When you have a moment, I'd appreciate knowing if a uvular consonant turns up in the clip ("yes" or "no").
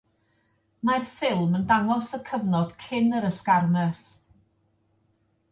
no